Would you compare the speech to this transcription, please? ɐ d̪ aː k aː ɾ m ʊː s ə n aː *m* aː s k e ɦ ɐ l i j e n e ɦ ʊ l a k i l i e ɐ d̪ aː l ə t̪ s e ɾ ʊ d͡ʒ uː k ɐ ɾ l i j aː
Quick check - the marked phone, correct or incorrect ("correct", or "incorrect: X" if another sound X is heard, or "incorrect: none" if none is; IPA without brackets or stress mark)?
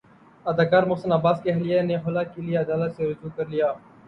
incorrect: b